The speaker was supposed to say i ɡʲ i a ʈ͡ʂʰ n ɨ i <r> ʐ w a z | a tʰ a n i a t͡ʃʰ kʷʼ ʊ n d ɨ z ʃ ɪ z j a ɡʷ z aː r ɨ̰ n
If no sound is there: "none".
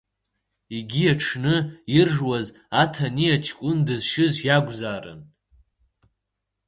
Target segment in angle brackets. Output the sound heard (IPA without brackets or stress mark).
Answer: r